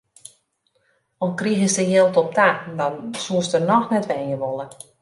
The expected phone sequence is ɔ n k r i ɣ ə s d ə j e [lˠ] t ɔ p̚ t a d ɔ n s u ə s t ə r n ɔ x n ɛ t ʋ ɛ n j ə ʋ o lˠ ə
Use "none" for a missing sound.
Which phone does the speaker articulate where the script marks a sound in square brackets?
lˠ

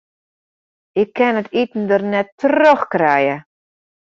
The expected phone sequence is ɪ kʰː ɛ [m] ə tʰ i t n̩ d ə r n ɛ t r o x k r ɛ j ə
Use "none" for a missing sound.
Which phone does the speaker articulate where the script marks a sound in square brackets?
n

